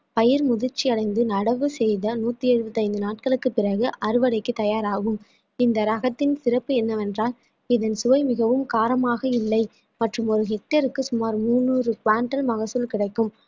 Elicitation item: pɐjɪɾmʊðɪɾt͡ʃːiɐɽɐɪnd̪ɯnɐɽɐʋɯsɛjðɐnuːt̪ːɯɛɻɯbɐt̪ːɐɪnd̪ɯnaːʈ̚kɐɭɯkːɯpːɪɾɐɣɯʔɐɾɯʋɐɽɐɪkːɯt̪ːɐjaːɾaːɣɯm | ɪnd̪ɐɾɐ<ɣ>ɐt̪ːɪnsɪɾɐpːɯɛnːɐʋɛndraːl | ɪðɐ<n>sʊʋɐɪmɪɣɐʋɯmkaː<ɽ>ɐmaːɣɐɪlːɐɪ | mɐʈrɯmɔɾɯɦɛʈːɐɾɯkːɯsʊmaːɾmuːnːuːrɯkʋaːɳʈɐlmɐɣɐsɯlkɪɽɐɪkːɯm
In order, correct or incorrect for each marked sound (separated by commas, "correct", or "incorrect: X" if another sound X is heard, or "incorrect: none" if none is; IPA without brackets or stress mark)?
correct, correct, incorrect: ɾ